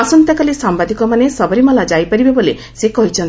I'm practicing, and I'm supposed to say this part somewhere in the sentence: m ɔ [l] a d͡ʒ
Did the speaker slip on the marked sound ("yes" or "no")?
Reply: no